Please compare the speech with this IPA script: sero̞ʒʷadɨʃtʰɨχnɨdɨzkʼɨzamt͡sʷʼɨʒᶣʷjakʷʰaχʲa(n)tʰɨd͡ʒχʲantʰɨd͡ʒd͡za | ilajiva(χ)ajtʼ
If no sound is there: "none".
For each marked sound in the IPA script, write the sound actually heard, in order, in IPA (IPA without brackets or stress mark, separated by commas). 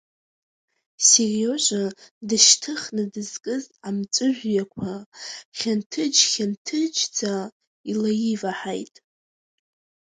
n, ħ